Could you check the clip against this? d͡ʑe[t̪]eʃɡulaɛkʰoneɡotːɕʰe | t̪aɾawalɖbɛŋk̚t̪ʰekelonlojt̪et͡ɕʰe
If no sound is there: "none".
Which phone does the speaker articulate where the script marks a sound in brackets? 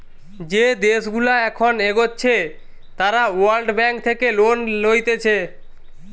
d̪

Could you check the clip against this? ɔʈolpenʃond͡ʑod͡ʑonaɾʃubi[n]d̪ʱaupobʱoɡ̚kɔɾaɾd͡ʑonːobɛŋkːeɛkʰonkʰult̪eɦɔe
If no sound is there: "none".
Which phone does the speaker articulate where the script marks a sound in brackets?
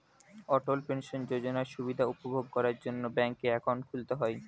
none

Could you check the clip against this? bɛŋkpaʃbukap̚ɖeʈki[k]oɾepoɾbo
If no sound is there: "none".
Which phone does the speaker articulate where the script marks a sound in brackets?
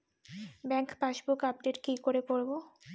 k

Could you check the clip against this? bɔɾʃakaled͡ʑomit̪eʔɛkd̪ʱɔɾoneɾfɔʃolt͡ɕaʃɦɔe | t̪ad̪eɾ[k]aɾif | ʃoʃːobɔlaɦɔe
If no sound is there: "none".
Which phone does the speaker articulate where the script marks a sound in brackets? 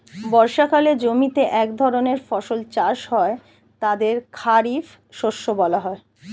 kʰ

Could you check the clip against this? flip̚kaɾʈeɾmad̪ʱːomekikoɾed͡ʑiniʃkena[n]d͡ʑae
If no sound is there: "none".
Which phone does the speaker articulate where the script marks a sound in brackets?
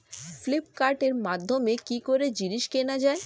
none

